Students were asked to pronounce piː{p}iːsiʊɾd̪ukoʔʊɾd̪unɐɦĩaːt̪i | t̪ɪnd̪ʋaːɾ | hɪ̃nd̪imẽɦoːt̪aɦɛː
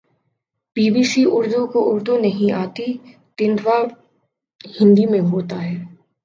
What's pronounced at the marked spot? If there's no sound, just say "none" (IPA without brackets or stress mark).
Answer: b